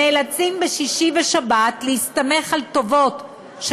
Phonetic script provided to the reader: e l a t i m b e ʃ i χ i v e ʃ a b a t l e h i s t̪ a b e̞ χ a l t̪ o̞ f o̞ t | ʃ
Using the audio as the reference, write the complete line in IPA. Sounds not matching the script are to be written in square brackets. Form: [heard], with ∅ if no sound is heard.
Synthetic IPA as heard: e l a [t͡s] i m b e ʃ i [ʃ] i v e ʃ a b a t l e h i s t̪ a [m] e̞ χ a l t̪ o̞ [v] o̞ t | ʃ